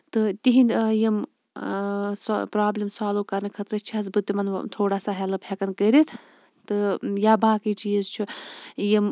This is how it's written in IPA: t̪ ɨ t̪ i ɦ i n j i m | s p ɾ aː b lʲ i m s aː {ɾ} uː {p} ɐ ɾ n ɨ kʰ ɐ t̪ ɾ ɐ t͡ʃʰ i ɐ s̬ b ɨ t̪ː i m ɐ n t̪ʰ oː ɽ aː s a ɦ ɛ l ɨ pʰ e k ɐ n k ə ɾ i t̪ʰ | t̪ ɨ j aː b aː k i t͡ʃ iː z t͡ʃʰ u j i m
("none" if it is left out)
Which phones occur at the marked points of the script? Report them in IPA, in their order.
l, k

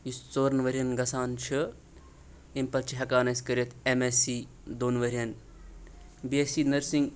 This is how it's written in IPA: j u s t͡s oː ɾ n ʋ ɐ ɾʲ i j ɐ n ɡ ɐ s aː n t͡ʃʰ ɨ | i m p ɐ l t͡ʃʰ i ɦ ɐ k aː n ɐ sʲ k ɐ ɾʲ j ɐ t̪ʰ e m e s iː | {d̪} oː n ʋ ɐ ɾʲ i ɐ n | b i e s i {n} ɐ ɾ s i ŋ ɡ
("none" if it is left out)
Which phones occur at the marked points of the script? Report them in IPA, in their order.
d̪, n

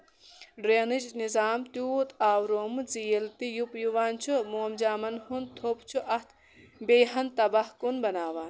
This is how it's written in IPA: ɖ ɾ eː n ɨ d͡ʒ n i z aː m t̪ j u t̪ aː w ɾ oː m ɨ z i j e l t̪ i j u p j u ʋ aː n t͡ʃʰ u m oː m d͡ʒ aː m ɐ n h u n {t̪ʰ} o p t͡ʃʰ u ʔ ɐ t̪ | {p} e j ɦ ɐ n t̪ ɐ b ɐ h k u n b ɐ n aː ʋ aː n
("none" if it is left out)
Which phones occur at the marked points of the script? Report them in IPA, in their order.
t̪ʰ, b

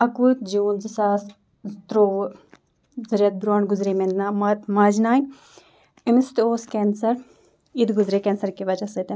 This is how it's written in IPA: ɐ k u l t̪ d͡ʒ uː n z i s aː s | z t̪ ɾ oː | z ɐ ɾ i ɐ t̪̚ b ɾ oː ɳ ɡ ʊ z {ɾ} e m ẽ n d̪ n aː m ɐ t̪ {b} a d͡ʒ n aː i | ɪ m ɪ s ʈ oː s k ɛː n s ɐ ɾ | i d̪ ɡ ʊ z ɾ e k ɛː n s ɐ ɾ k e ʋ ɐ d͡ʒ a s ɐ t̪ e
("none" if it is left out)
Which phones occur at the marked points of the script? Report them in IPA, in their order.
ɾ, m

